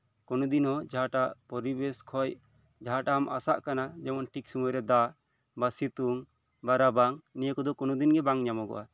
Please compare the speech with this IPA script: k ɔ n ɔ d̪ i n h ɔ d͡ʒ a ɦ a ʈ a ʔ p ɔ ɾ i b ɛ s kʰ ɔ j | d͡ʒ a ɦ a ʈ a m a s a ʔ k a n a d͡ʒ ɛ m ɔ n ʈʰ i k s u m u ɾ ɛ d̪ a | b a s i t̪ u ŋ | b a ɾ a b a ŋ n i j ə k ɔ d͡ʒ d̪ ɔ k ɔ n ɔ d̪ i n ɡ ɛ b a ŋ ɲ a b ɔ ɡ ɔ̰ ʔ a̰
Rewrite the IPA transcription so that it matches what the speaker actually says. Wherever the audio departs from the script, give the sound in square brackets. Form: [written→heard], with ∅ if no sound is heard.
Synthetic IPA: k ɔ n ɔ d̪ i n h ɔ d͡ʒ a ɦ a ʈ a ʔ p ɔ ɾ i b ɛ s kʰ ɔ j | d͡ʒ a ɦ a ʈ a m a s a ʔ k a n a d͡ʒ ɛ m ɔ n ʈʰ i k s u m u ɾ ɛ d̪ a | b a s i t̪ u ŋ | b a ɾ a b a ŋ n i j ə k ɔ [d͡ʒ→∅] d̪ ɔ k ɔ n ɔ d̪ i n ɡ ɛ b a ŋ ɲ a [b→m] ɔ ɡ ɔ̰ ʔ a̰

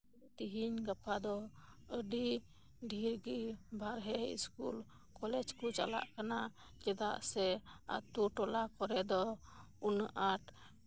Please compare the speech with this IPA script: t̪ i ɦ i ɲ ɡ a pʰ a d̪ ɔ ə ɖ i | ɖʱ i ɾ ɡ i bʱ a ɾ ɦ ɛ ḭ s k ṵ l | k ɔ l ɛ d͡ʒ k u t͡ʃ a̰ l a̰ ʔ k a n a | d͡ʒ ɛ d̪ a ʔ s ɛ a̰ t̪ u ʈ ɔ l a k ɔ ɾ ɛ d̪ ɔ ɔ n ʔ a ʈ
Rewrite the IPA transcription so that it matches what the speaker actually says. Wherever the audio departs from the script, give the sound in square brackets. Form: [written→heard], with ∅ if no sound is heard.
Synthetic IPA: t̪ i ɦ i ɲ ɡ a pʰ a d̪ ɔ ə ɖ i | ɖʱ i ɾ ɡ i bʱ a ɾ ɦ ɛ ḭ s k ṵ l | k ɔ l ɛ d͡ʒ k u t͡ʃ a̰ l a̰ ʔ k a n a | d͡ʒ ɛ d̪ a ʔ s ɛ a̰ t̪ u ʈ ɔ l a k ɔ ɾ ɛ d̪ ɔ [ɔ→u] n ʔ a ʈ

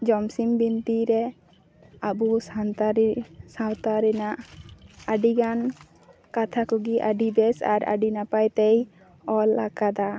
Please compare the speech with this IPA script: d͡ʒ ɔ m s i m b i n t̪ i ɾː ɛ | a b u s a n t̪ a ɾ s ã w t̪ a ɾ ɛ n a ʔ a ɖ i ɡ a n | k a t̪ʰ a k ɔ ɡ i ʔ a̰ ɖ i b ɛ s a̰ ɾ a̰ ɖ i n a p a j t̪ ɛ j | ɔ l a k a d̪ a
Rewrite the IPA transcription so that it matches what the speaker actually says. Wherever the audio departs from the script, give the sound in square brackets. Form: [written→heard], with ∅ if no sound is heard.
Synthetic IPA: d͡ʒ ɔ m s i m b i n t̪ i [ɾː→ɾ] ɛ | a b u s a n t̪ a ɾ s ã w t̪ a ɾ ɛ n a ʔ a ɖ i ɡ a n | k a t̪ʰ a k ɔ ɡ i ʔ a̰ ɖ i b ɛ s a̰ ɾ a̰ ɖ i n a p a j t̪ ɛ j | ɔ l a k a d̪ a

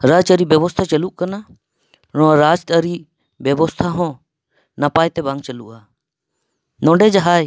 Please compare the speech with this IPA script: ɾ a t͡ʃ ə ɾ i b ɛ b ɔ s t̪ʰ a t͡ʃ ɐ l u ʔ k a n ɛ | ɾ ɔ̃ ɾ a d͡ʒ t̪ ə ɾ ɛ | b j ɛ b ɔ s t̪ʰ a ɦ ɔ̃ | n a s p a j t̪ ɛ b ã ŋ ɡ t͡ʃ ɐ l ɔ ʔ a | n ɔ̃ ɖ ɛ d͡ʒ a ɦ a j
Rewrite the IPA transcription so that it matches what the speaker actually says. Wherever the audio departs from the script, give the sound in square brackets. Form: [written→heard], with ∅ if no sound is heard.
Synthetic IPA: ɾ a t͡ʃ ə ɾ i b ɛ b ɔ s t̪ʰ a t͡ʃ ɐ l u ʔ k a n [ɛ→a] | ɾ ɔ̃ ɾ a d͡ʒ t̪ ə ɾ [ɛ→i] | b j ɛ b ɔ s t̪ʰ a ɦ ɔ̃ | n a [s→∅] p a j t̪ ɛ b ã ŋ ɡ t͡ʃ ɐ l [ɔ→u] ʔ a | n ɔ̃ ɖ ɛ d͡ʒ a ɦ a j

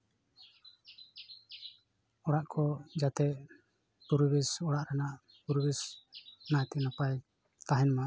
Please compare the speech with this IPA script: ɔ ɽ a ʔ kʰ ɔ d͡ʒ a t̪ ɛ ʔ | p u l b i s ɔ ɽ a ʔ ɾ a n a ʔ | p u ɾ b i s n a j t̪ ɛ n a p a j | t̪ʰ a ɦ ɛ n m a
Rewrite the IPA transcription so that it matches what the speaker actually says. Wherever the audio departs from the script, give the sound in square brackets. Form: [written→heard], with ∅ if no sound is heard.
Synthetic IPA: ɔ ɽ a ʔ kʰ ɔ d͡ʒ a t̪ ɛ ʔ | p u [l→ɾ] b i s ɔ ɽ a ʔ ɾ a n a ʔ | p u ɾ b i s n a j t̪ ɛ n a p a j | [t̪ʰ→t̪] a ɦ ɛ n m a

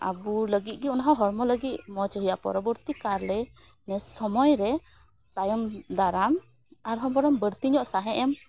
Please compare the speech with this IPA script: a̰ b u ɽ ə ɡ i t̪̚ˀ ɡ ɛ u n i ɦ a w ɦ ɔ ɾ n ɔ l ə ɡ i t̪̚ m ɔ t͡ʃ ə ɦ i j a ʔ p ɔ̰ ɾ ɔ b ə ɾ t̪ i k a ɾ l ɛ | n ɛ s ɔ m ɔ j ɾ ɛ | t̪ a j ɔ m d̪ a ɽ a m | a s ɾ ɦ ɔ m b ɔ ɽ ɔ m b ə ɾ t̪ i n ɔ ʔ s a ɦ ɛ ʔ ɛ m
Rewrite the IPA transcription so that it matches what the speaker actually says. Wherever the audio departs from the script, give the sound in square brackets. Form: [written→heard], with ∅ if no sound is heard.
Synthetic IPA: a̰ b u [ɽ→l] ə ɡ i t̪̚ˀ ɡ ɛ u n [i→a] ɦ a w ɦ ɔ ɾ [n→m] ɔ l ə ɡ i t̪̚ m ɔ t͡ʃ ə ɦ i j a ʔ p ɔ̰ ɾ ɔ b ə ɾ t̪ i k a ɾ l ɛ | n ɛ s ɔ m ɔ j ɾ ɛ | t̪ a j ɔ m d̪ a [ɽ→ɾ] a m | a [s→∅] ɾ ɦ ɔ m b ɔ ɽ ɔ m b ə ɾ t̪ i [n→ɲ] ɔ ʔ s a ɦ ɛ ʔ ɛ m

